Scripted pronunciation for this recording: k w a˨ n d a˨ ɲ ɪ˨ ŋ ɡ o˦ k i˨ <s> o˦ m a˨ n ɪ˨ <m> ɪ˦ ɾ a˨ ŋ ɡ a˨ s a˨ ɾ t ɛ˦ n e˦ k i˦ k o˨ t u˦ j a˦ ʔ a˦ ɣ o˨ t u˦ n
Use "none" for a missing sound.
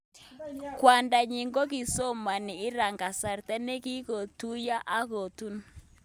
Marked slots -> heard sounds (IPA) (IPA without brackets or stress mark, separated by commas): s, none